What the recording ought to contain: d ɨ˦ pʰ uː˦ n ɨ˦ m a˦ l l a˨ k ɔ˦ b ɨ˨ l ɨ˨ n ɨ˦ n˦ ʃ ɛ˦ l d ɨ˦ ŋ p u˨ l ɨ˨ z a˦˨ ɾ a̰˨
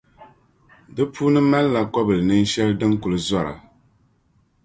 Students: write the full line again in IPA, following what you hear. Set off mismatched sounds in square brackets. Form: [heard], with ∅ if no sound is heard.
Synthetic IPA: d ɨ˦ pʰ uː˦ n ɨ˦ m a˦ l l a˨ k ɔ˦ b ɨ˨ l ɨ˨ n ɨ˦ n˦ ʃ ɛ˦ l d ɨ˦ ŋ [k] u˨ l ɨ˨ z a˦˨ ɾ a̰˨